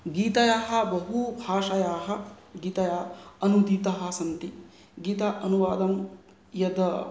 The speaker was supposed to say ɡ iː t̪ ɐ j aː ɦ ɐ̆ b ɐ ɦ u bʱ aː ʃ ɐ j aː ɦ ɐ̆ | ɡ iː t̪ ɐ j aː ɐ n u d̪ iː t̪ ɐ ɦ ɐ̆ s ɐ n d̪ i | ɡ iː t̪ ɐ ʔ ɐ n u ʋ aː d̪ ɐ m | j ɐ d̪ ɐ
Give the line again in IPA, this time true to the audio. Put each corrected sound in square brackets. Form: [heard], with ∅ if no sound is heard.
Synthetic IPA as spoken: ɡ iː t̪ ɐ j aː ɦ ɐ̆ b ɐ ɦ u bʱ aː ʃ ɐ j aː ɦ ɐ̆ | ɡ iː t̪ ɐ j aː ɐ n u d̪ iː t̪ ɐ ɦ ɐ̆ s ɐ n [t̪] i | ɡ iː t̪ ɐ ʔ ɐ n u ʋ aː d̪ ɐ m | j ɐ d̪ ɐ